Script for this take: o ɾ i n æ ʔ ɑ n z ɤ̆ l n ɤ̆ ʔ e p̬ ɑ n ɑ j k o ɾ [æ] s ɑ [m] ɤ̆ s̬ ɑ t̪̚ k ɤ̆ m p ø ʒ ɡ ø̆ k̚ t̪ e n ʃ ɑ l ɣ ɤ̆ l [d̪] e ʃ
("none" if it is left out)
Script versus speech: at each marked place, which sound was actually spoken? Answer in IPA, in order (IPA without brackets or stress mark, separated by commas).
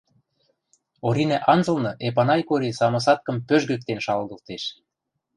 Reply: i, m, t̪